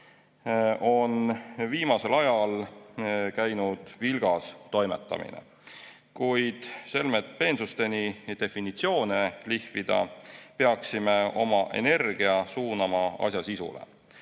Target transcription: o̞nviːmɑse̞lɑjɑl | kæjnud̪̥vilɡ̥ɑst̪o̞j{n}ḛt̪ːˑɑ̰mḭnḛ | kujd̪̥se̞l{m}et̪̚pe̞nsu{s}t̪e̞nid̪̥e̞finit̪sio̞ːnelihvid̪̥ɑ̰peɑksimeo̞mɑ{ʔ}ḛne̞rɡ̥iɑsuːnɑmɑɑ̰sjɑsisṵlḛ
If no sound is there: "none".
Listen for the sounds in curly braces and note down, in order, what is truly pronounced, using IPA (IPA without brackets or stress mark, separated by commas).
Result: m, m, s, ʔ